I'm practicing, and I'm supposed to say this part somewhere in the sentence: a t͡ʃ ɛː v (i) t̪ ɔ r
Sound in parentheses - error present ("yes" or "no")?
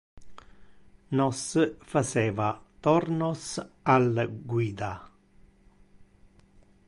yes